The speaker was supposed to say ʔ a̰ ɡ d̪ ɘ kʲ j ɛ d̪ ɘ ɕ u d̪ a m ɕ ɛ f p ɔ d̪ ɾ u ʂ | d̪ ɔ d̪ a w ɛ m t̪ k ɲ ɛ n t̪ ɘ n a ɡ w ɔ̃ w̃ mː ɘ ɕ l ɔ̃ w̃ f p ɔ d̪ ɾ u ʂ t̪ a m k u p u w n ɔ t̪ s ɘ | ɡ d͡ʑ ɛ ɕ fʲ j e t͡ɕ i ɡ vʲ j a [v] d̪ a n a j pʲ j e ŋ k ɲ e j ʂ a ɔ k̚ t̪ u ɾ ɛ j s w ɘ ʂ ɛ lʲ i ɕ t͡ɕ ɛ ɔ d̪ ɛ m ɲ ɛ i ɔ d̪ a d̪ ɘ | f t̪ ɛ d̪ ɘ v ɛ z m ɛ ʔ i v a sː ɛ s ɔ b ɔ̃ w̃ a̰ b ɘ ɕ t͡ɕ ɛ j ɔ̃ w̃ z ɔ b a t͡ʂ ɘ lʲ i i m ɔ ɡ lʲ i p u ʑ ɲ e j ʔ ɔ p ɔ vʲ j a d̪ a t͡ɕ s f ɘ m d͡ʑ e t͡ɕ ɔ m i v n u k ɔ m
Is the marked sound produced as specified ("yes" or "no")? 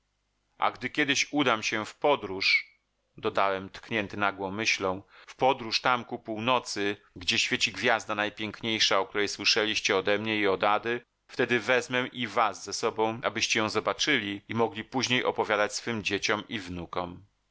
no